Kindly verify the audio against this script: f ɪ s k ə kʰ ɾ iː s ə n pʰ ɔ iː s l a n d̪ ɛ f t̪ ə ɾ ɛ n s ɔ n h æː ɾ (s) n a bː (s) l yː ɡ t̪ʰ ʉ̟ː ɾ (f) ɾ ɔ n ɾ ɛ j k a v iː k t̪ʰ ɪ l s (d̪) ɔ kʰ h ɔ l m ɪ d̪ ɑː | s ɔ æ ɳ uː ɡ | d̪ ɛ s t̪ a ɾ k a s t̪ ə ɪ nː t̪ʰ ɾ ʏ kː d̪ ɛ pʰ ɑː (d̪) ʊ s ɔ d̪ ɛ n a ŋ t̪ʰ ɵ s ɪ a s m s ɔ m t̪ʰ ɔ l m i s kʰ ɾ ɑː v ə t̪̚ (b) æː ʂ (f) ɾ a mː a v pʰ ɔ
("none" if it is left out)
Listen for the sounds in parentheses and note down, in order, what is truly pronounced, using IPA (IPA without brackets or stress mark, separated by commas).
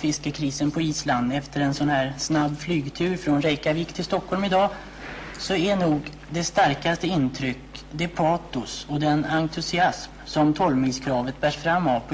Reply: s, f, f, t̪, t̪, b, f